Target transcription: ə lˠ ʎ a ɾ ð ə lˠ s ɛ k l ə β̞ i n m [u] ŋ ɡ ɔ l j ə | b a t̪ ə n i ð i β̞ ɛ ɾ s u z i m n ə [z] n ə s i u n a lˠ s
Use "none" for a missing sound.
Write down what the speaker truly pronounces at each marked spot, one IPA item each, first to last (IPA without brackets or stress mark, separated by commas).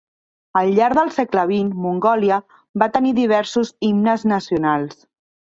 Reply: u, z